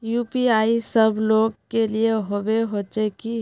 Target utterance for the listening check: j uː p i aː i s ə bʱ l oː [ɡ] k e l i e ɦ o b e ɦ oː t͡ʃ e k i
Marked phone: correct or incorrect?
correct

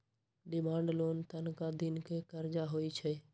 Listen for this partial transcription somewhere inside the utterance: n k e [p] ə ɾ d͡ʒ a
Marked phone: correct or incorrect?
incorrect: k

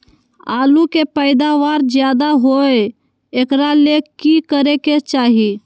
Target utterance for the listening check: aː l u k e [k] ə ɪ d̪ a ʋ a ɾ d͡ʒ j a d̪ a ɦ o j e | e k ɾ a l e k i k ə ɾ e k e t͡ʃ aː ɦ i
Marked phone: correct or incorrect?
incorrect: p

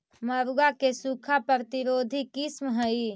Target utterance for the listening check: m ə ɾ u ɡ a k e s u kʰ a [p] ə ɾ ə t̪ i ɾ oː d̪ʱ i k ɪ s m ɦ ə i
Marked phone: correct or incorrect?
correct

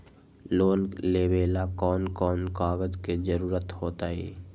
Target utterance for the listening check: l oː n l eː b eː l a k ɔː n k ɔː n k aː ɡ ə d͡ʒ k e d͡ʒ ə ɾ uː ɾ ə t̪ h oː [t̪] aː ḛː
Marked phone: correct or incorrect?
correct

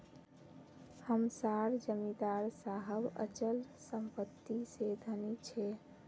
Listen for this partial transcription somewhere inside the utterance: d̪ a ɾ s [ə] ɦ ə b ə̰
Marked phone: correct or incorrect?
incorrect: a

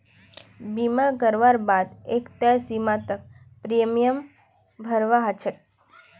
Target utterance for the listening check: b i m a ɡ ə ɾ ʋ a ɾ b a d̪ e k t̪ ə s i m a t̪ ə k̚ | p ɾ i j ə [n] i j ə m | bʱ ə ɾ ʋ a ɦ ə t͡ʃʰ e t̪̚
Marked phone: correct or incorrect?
incorrect: m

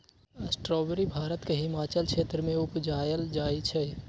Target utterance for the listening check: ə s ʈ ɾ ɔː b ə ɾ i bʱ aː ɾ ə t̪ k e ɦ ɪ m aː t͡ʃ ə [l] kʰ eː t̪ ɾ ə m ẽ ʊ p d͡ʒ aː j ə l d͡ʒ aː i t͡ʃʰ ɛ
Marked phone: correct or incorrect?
correct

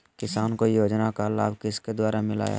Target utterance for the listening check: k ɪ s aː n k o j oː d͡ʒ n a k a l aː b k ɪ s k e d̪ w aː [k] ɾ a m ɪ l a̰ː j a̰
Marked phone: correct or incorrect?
incorrect: none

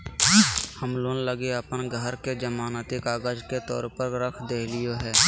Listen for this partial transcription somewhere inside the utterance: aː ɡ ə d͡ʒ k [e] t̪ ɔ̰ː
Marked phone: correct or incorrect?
correct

